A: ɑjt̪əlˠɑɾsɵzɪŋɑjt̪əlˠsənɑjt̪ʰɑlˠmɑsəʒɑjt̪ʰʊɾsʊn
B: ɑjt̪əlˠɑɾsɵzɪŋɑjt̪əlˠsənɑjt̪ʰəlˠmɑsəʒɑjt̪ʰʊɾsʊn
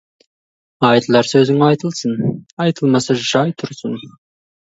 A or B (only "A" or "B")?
B